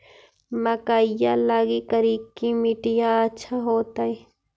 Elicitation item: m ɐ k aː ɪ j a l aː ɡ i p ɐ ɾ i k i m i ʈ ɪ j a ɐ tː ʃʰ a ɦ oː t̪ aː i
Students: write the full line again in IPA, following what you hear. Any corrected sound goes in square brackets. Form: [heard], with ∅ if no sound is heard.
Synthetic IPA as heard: m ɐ k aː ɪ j a l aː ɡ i [k] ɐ ɾ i k i m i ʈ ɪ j a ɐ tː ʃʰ a ɦ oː t̪ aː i

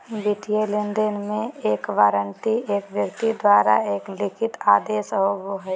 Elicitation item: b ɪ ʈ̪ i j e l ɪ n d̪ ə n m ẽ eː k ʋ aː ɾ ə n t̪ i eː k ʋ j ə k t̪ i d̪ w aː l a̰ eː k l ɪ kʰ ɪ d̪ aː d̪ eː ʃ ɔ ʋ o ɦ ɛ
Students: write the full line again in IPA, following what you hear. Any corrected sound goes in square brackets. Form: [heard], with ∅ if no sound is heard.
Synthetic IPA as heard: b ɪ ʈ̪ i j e l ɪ n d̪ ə n m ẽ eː k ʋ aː ɾ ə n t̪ i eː k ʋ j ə k t̪ i d̪ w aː [ɾ] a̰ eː k l ɪ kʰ ɪ [t̪] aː d̪ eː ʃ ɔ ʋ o ɦ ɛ

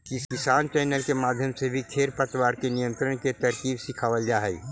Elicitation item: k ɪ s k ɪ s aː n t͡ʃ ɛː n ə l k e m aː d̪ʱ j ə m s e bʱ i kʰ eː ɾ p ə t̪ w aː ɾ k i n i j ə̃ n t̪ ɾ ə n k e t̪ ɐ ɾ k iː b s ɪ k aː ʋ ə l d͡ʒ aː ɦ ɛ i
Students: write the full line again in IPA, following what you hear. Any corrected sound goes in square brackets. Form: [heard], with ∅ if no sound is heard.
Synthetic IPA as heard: k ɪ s k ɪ s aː n t͡ʃ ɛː n ə l k e m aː d̪ʱ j ə m s e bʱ i kʰ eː ɾ p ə t̪ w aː ɾ k [e] n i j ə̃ n t̪ ɾ ə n k e t̪ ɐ ɾ k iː b s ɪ [kʰ] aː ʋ ə l d͡ʒ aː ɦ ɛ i

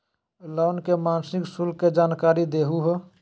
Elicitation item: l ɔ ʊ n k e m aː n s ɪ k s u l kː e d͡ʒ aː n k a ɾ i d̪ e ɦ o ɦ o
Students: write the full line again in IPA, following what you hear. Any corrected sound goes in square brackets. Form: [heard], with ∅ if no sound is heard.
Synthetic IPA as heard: l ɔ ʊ n k e m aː n s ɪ k s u l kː e d͡ʒ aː n k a ɾ i d̪ e ɦ [u] ɦ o

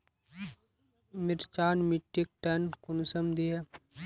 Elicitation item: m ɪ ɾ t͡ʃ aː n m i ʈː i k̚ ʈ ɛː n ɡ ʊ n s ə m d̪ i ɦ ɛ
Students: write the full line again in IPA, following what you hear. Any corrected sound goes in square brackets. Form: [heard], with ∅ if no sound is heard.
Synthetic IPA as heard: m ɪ ɾ t͡ʃ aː n m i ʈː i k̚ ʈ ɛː n [k] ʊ n s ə m d̪ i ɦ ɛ

